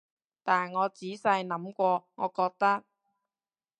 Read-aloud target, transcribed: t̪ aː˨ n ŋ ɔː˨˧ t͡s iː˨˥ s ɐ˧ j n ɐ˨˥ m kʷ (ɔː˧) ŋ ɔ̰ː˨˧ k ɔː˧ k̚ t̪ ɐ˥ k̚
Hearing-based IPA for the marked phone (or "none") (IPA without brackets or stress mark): ɔː˧